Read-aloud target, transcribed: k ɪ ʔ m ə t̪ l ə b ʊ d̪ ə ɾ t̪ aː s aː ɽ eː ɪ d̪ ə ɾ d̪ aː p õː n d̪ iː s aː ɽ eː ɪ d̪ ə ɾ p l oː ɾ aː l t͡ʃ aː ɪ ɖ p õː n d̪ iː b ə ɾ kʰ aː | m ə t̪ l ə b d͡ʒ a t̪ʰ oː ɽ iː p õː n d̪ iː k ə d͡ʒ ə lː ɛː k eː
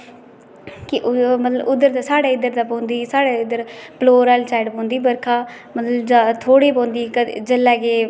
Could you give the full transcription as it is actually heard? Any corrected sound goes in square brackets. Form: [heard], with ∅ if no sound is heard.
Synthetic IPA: k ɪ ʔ m ə t̪ l ə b ʊ d̪ ə ɾ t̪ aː s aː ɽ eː ɪ d̪ ə ɾ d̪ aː p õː n d̪ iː s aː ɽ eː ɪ d̪ ə ɾ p l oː ɾ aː l t͡ʃ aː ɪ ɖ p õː n d̪ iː b ə ɾ kʰ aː | m ə t̪ l ə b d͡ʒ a t̪ʰ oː ɽ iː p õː n d̪ iː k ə d͡ʒ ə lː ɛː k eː